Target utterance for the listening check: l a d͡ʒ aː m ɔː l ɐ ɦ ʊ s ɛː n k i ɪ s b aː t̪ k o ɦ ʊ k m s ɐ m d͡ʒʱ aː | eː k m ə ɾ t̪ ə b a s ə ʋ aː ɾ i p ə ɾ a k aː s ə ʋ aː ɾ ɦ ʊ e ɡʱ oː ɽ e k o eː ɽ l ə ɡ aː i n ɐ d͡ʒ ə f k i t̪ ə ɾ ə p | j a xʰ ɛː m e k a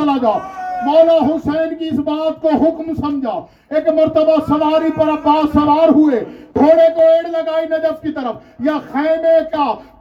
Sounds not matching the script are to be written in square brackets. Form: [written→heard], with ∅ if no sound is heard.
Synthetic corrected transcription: l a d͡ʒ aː m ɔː l [ɐ→a] ɦ ʊ s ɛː n k i ɪ s b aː t̪ k o ɦ ʊ k m s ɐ m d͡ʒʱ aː | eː k m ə ɾ t̪ ə b a s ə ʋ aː ɾ i p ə ɾ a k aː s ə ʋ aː ɾ ɦ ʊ e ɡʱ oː ɽ e k o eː ɽ l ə ɡ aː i n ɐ d͡ʒ ə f k i t̪ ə ɾ ə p | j a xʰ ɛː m e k a